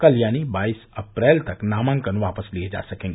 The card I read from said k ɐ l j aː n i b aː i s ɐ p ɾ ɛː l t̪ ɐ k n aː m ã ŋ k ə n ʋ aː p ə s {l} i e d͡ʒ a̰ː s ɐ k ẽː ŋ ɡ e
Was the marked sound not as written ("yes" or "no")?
no